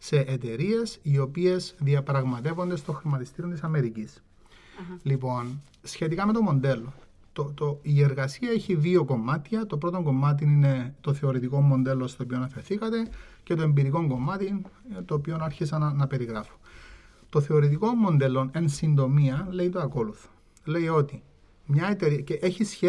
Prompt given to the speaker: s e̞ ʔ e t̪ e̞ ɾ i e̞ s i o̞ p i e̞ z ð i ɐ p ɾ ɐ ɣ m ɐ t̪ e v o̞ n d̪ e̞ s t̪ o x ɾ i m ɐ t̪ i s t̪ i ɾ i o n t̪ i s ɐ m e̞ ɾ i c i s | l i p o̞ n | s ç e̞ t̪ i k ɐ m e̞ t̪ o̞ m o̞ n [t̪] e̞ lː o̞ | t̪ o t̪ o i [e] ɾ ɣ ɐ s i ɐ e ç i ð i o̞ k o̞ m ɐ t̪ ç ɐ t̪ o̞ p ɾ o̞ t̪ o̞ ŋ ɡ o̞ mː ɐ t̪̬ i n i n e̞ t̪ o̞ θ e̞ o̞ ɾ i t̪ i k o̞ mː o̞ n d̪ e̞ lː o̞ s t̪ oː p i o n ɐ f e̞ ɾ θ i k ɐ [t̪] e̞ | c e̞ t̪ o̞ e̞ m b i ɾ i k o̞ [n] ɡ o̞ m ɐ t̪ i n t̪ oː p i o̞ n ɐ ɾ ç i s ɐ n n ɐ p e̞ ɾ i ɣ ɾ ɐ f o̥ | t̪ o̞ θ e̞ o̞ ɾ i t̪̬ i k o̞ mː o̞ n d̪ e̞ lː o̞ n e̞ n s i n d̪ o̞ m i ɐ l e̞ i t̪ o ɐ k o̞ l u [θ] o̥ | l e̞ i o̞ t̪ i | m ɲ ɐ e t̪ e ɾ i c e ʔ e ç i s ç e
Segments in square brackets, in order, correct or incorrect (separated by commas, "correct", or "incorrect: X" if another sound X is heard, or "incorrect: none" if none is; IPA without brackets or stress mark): incorrect: d̪, correct, correct, incorrect: ŋ, correct